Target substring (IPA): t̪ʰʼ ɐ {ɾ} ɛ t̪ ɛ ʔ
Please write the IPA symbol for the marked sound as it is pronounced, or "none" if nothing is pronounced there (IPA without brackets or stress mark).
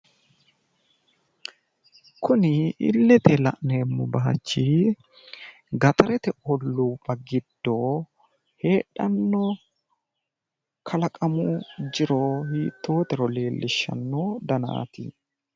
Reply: ɾ